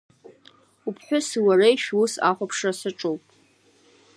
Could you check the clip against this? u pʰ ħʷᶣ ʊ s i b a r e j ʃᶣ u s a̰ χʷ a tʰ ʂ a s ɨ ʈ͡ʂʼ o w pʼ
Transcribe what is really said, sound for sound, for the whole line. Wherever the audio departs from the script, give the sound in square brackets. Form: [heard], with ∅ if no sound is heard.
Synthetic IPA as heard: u pʰ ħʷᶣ ʊ s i [w] a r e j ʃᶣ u s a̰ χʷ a [pʰ] ʂ a s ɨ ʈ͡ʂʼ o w pʼ